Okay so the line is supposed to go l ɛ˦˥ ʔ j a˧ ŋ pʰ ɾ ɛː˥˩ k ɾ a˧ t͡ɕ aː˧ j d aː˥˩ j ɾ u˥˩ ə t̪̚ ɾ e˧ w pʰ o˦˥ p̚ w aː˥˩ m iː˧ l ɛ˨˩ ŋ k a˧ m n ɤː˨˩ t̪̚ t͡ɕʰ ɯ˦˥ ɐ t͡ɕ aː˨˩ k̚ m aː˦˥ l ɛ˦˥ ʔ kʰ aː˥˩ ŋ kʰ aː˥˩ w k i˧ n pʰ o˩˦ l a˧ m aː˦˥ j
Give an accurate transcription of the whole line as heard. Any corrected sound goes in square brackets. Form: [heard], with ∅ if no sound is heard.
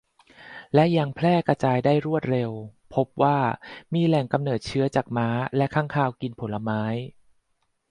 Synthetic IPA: l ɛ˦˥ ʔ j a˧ ŋ pʰ [l] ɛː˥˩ k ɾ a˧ t͡ɕ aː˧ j d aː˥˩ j ɾ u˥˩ ə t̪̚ ɾ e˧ w pʰ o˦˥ p̚ w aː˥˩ m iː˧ l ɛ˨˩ ŋ k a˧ m n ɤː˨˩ t̪̚ t͡ɕʰ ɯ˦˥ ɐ t͡ɕ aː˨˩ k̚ m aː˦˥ l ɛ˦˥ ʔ kʰ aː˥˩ ŋ kʰ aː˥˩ w k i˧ n pʰ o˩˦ l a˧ m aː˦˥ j